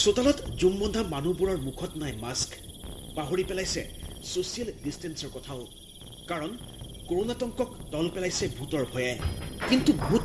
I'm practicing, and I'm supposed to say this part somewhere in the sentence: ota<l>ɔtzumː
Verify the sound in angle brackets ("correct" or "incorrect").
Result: correct